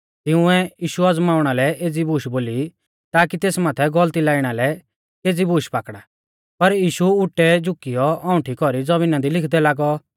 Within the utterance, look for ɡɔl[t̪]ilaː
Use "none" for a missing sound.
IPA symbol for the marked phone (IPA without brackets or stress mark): t̪